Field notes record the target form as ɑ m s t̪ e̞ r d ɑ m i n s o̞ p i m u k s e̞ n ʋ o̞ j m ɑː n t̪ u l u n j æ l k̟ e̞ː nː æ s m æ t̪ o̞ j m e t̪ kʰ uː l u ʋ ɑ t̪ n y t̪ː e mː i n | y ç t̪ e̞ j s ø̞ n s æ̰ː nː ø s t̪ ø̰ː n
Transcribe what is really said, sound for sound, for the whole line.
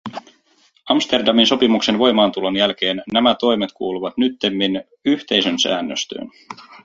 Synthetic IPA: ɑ m s t̪ e̞ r d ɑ m i n s o̞ p i m u k s e̞ n ʋ o̞ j m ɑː n t̪ u l o n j æ l k̟ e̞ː nː æ m æ t̪ o̞ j m e t̪ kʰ uː l u ʋ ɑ t̪ n y t̪ː e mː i n | y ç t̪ e̞ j s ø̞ n s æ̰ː nː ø s t̪ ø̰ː n